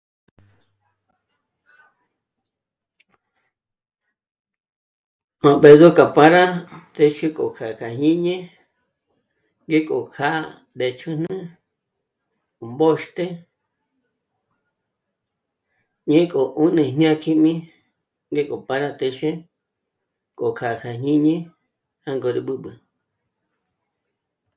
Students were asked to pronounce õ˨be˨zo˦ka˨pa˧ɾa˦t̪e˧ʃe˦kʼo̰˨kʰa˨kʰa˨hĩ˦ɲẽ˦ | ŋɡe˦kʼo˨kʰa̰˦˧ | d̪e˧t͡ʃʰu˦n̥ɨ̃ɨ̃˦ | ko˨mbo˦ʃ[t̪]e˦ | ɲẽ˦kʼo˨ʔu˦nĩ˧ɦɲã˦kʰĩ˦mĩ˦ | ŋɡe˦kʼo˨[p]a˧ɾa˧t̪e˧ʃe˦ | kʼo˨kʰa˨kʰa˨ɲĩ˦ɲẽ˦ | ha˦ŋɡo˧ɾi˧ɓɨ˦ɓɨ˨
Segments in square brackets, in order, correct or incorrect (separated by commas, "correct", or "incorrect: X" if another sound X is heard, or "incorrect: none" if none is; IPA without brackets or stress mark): correct, correct